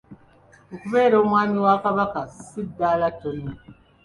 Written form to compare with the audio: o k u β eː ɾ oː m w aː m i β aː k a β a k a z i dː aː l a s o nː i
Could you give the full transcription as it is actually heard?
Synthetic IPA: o k u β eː ɾ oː m w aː m i w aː k a β a k a s i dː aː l a t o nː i